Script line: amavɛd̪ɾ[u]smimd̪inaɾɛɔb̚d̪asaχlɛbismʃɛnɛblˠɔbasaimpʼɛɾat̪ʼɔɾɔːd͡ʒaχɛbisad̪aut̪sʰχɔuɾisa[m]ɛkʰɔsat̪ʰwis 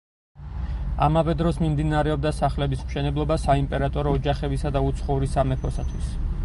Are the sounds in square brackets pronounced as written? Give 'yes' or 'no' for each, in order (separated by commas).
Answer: no, yes